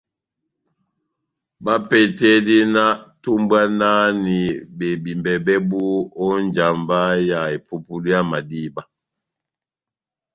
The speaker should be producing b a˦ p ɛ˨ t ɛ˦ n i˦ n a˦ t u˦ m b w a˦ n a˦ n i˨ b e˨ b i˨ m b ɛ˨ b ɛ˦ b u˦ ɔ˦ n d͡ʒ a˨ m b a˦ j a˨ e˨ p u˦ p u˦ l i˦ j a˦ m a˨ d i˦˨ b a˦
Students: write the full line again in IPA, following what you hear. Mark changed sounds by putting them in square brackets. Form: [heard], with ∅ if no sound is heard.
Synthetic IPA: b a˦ p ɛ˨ t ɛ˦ [d] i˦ n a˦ t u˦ m b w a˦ n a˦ n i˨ b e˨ b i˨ m b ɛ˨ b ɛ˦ b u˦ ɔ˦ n d͡ʒ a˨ m b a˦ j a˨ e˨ p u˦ p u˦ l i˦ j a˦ m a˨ d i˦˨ b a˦